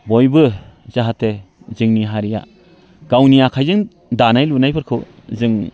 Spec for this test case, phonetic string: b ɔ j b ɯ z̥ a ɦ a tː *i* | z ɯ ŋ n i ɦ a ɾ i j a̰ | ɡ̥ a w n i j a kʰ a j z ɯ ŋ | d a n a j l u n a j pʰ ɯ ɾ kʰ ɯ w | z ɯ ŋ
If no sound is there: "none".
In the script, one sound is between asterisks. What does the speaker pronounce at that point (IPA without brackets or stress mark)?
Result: e